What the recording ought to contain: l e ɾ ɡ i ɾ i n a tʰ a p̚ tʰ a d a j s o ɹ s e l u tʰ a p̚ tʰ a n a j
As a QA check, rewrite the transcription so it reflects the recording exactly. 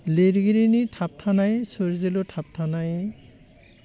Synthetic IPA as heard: l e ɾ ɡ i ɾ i n i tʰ a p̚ tʰ a n a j s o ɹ z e l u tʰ a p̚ tʰ a n a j